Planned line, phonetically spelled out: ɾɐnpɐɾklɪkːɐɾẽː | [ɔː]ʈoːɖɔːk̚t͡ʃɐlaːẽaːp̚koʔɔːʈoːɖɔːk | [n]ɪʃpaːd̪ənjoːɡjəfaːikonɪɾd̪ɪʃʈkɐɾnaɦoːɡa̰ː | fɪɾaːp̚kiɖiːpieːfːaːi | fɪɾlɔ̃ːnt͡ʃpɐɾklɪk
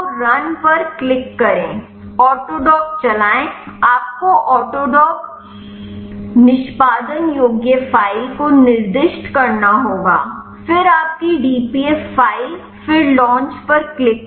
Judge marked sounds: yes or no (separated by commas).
yes, yes